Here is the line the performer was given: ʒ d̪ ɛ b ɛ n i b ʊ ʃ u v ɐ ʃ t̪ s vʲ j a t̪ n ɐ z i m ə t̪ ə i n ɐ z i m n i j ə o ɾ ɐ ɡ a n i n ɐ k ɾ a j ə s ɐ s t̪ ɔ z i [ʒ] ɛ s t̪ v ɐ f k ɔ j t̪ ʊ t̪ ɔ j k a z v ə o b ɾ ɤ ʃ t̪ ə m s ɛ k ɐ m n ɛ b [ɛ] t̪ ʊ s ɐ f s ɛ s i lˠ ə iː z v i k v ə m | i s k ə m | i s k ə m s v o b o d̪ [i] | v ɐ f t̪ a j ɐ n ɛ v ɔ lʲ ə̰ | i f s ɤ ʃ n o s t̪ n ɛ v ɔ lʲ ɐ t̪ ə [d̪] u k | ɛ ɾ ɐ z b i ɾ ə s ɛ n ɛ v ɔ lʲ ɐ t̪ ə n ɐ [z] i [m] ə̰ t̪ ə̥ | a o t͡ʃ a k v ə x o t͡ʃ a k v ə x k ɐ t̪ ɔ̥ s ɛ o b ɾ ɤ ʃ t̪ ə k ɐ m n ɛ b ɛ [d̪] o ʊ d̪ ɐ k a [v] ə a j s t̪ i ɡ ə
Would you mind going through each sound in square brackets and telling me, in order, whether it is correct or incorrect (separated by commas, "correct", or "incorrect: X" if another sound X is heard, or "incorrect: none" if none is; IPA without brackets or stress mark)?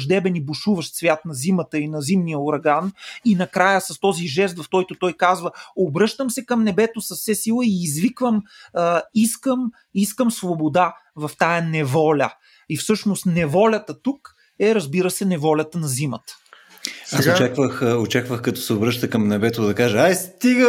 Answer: correct, correct, incorrect: a, incorrect: t̪, correct, correct, incorrect: t̪, incorrect: ʒ